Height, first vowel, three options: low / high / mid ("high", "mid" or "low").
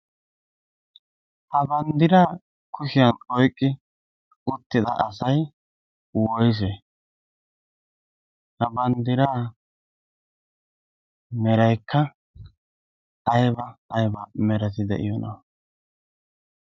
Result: low